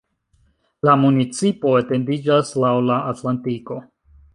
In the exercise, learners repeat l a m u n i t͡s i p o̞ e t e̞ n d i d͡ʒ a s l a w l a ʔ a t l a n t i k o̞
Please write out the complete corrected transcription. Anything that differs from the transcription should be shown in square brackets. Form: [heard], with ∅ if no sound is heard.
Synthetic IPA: l a m u n i t͡s i p o̞ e t e̞ n d i d͡ʒ a s l a w l a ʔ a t l a n t i k o̞